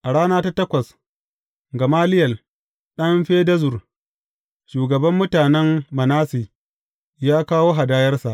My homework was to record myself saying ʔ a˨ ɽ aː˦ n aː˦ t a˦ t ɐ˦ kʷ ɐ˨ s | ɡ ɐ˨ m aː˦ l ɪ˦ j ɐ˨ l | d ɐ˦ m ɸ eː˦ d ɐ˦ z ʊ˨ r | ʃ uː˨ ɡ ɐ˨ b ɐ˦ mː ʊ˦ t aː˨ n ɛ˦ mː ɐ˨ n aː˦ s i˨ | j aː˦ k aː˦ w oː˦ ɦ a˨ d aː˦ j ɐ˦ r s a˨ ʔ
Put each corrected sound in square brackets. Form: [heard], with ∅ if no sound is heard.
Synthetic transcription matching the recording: ʔ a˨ ɽ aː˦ n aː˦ t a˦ t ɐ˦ kʷ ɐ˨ s | ɡ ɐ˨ m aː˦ l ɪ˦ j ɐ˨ l | [ɗ] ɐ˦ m ɸ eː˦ d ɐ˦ z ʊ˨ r | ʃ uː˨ ɡ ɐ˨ b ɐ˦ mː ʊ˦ t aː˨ n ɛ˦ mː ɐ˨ n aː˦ s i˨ | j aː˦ k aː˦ w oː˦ ɦ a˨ d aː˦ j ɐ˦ r s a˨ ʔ

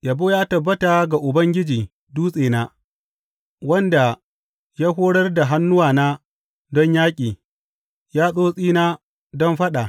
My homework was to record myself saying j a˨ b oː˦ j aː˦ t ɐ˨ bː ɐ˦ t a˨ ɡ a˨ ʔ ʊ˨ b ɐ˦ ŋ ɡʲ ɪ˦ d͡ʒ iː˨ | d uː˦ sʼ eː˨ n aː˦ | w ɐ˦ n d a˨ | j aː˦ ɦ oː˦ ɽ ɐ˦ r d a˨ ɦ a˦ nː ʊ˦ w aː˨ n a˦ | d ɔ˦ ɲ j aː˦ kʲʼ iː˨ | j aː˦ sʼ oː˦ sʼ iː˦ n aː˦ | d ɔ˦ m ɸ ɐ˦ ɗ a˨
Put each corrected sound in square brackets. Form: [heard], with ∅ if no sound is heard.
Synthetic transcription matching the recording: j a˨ b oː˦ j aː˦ t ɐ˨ bː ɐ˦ t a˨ ɡ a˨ ʔ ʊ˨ b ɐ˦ ŋ ɡʲ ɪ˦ d͡ʒ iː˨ | d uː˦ sʼ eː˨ n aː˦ | w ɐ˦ n d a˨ | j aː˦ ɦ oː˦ ɽ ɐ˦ r d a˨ ɦ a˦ nː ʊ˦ w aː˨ n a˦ | d ɔ˦ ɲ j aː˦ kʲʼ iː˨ | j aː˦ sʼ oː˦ sʼ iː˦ n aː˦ | d ɔ˦ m ɸ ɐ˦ ɗ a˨

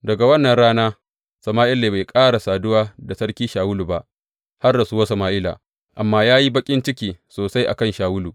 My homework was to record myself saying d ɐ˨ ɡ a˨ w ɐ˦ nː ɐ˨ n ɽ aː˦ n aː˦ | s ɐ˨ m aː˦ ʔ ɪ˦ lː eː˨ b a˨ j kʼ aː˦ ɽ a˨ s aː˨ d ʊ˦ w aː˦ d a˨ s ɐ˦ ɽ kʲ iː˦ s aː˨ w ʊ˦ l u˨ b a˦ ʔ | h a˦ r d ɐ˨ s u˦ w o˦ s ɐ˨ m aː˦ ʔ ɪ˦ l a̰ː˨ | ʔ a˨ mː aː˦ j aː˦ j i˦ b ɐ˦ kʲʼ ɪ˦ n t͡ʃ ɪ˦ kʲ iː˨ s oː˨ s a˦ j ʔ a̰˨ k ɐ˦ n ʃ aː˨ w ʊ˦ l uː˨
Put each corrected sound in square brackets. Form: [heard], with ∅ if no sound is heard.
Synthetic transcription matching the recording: d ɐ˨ ɡ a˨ w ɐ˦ nː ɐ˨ n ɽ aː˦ n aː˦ | s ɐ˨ m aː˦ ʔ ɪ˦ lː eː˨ b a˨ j kʼ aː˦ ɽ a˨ s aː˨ d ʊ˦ w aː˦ d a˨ s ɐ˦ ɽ kʲ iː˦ [ʃ] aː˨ w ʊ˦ l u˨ b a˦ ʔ | h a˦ r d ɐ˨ s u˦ w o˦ s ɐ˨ m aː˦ ʔ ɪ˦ l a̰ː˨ | ʔ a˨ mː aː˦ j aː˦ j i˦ b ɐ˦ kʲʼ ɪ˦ n t͡ʃ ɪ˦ kʲ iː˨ s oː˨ s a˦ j ʔ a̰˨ k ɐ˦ n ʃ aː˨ w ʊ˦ l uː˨

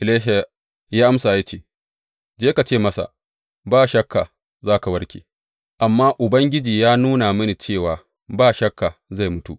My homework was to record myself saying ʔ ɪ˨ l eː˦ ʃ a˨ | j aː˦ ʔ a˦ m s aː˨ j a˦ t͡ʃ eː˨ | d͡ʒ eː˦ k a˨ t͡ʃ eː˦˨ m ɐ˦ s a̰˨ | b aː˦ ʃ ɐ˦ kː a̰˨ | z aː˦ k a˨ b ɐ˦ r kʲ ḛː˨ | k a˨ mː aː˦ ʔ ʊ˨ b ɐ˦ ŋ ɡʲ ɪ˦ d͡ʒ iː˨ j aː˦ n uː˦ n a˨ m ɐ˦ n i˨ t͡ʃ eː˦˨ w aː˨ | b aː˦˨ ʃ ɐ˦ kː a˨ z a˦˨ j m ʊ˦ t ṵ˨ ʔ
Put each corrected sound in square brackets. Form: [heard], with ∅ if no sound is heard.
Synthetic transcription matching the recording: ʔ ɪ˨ l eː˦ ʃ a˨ | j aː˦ ʔ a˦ m s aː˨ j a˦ t͡ʃ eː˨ | d͡ʒ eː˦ k a˨ t͡ʃ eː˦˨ m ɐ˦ s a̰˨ | b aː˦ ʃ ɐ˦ kː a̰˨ | z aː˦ k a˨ [w] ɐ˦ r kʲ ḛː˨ | [ʔ] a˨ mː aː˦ ʔ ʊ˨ b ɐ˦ ŋ ɡʲ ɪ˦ d͡ʒ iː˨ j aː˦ n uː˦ n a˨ m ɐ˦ n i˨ t͡ʃ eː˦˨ w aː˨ | b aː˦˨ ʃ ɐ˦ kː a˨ z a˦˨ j m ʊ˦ t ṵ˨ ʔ

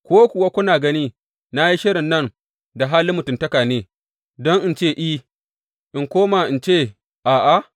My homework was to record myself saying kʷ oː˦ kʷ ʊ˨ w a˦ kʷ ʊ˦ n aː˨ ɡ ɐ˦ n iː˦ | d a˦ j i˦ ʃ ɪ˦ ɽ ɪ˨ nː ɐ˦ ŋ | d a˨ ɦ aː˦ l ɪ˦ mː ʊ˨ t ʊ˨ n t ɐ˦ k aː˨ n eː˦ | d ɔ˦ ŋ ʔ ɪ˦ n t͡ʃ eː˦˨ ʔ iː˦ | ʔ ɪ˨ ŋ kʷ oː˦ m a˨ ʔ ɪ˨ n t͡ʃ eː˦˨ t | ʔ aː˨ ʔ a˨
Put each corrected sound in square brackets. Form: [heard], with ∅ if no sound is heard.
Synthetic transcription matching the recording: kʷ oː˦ kʷ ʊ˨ w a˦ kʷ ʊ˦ n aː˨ ɡ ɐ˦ n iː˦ | [n] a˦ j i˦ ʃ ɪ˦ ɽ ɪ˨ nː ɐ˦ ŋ | d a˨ ɦ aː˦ l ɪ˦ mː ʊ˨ t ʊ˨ n t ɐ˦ k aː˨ n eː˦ | d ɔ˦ ŋ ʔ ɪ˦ n t͡ʃ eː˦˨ ʔ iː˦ | ʔ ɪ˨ ŋ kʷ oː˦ m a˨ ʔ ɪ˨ n t͡ʃ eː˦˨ [∅] | ʔ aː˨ ʔ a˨

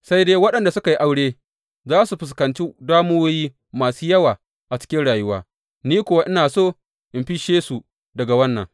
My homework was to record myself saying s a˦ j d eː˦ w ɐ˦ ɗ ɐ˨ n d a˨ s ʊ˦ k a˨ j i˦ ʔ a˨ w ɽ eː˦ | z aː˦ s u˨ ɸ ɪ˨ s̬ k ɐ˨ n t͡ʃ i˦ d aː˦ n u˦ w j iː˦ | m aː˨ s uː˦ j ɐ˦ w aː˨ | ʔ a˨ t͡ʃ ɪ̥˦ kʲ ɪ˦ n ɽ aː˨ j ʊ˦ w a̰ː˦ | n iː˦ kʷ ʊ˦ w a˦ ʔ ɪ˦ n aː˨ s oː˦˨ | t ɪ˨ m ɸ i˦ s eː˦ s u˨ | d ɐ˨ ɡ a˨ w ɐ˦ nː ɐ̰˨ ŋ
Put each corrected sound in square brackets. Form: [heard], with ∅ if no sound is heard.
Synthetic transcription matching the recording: s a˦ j d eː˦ w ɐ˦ ɗ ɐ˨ n d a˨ s ʊ˦ k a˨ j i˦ ʔ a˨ w ɽ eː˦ | z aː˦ s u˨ ɸ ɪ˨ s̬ k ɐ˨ n t͡ʃ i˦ d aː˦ [m] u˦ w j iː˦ | m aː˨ s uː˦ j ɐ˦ w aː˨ | ʔ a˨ t͡ʃ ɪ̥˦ kʲ ɪ˦ n ɽ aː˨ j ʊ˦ w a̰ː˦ | n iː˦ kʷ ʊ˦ w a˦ ʔ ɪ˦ n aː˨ s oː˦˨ | [ʔ] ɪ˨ m ɸ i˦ [ʃ] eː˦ s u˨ | d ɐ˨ ɡ a˨ w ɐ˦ nː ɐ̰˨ ŋ

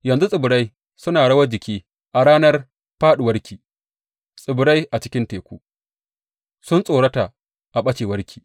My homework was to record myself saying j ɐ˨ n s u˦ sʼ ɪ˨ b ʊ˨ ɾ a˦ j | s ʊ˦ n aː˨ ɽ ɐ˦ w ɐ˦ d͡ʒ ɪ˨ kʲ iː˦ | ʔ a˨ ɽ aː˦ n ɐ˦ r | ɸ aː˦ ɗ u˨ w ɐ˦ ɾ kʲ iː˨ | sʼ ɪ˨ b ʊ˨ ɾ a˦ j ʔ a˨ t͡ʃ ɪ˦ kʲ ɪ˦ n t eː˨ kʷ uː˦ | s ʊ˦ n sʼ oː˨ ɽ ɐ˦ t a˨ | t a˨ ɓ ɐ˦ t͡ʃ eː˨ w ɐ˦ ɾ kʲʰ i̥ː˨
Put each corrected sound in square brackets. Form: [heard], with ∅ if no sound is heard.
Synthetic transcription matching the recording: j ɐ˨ n [z] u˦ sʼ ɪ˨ b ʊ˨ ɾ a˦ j | s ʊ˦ n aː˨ ɽ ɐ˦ w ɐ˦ d͡ʒ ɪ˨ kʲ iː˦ | ʔ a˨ ɽ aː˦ n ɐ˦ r | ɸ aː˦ ɗ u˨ w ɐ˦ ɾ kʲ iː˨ | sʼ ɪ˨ b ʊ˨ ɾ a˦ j ʔ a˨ t͡ʃ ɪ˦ kʲ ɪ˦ n t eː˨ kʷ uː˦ | s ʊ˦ n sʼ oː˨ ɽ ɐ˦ t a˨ | [ʔ] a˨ ɓ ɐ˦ t͡ʃ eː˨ w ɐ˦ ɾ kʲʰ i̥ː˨

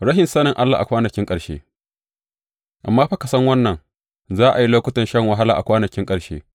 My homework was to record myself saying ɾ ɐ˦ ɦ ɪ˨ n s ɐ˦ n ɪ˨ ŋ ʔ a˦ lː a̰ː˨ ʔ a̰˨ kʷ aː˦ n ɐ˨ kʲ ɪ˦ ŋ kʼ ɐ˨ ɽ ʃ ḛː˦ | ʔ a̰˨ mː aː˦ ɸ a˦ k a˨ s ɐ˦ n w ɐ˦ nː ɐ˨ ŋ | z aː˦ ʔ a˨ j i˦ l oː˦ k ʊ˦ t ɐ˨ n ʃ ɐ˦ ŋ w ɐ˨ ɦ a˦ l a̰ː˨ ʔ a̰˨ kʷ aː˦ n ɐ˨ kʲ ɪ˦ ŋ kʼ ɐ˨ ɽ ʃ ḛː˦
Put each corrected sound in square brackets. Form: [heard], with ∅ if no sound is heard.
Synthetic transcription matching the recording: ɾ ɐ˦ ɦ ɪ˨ n s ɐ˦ n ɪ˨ ŋ ʔ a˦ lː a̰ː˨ ʔ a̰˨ kʷ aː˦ n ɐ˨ kʲ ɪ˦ ŋ kʼ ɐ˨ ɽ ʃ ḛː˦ | ʔ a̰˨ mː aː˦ ɸ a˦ k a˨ s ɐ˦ [ŋ] w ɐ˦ nː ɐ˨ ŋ | z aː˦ ʔ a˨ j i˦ l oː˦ k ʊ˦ t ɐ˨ n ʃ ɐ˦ ŋ w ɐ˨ ɦ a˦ l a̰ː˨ ʔ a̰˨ kʷ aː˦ n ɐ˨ kʲ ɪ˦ ŋ kʼ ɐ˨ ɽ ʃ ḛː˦

